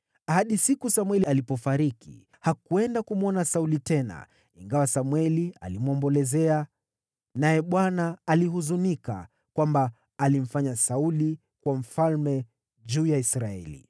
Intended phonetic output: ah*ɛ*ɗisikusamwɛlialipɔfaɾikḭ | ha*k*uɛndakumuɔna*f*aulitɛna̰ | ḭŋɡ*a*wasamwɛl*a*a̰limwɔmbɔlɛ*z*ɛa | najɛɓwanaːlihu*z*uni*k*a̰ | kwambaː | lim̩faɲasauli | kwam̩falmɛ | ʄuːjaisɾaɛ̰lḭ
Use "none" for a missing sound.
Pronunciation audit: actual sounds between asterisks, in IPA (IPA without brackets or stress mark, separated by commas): a, k, s, a, i, z, z, k